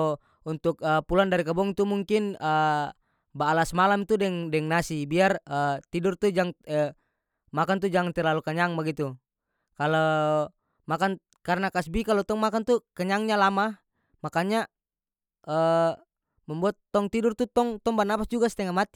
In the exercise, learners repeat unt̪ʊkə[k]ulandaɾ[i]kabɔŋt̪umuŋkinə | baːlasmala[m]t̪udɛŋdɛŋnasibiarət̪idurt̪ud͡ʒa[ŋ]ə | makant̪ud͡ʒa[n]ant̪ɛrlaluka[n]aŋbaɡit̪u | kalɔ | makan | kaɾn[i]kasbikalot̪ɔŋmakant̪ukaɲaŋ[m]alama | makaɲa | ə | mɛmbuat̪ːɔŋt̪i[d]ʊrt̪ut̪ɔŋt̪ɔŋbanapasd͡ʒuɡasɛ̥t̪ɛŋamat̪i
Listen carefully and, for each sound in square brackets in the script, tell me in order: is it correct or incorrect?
incorrect, correct, correct, correct, incorrect, incorrect, incorrect, incorrect, correct

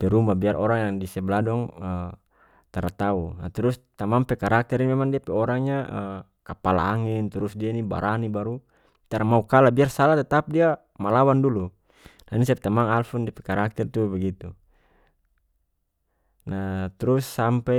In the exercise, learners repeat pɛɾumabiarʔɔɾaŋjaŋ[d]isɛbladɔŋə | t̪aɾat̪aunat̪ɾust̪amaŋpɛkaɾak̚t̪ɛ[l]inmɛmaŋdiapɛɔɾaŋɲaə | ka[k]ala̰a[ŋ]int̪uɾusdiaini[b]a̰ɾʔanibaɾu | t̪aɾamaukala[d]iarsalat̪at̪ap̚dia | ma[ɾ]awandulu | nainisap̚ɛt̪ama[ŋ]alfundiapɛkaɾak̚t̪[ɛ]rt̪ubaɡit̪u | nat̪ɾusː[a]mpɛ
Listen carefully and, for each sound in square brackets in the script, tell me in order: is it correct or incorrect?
correct, incorrect, incorrect, correct, correct, incorrect, incorrect, correct, correct, correct

